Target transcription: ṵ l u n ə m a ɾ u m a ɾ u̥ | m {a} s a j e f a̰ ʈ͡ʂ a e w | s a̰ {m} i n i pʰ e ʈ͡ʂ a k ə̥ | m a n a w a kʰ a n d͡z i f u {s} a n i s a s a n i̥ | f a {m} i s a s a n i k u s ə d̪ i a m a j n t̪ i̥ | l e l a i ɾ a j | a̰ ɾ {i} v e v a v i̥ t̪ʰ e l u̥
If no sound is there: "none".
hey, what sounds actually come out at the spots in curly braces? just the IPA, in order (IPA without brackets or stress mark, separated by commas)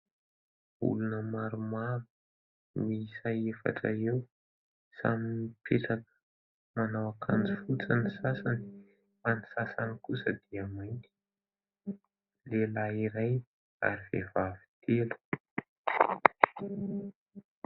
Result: i, m, t͡s, n, i